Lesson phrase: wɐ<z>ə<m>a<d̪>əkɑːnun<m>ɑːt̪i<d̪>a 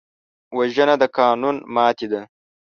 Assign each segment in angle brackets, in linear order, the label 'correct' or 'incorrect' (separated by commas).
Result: incorrect, incorrect, correct, correct, correct